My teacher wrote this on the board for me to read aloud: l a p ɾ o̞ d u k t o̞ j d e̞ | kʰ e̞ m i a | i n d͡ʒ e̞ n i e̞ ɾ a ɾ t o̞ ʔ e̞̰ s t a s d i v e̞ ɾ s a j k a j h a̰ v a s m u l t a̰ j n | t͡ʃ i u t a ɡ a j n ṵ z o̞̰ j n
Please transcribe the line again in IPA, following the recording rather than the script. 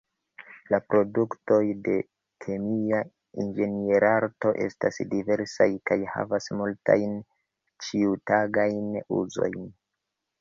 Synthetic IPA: l a p ɾ o̞ d u k t o̞ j d e̞ | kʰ e̞ m i a | i n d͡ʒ e̞ n i e̞ ɾ a ɾ t o̞ ʔ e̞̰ s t a s d i v e̞ ɾ s a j k a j h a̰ v a s m u l t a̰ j n | t͡ʃ i u t a ɡ a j n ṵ z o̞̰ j n